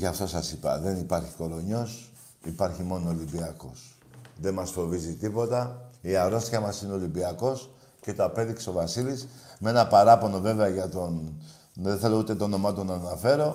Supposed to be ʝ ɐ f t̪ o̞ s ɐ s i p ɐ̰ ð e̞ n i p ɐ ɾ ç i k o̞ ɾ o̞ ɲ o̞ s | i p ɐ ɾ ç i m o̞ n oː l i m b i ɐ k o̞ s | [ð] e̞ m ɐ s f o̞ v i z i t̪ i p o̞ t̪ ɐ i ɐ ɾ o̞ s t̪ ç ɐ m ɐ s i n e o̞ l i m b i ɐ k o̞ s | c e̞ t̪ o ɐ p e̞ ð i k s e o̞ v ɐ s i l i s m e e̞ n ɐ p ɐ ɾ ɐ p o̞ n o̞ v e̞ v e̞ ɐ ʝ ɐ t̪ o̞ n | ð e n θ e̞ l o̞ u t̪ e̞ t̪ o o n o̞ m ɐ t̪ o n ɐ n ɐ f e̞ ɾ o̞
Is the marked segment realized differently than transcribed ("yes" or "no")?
no